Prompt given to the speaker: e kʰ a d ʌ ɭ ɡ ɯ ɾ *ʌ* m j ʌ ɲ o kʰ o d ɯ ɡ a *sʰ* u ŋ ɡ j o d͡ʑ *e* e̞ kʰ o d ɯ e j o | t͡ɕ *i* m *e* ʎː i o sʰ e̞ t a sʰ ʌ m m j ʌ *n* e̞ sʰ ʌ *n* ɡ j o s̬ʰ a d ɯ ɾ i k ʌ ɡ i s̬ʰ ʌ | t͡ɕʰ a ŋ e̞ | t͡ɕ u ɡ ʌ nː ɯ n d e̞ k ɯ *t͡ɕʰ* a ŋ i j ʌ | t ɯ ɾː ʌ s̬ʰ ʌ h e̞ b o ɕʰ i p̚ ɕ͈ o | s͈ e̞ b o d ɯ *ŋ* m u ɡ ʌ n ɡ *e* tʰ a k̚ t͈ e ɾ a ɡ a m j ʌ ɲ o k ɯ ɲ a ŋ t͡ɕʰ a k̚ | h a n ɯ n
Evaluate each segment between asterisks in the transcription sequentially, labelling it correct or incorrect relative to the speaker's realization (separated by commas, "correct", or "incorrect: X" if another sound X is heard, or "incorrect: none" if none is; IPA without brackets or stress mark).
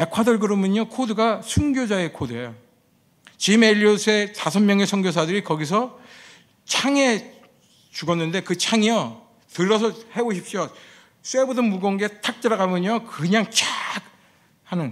correct, correct, incorrect: a, correct, correct, incorrect: ŋ, incorrect: ŋ, correct, incorrect: n, correct